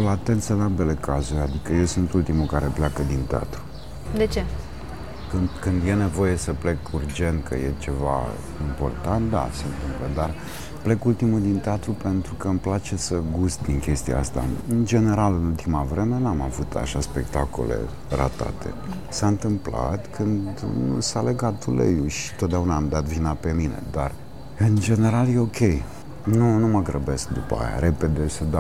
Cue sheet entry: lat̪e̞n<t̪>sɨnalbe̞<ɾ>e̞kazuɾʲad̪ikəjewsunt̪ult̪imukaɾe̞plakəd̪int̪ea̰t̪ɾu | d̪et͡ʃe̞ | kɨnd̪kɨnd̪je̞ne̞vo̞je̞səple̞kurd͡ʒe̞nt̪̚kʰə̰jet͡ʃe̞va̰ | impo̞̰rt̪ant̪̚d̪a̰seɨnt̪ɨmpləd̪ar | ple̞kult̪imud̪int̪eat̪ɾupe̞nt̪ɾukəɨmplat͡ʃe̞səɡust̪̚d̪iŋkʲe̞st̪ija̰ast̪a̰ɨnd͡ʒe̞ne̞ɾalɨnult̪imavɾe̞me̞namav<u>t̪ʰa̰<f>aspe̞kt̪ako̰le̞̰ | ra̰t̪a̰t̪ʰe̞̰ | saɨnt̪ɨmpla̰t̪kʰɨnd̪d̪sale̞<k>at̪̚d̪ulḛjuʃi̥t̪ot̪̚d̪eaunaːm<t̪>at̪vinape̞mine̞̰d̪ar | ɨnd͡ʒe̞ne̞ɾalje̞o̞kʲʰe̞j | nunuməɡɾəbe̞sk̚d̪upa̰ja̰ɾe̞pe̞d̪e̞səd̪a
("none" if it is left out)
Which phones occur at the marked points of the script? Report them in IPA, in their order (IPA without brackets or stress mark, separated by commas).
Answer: t̪, l, u, ʃ, ɡ, d̪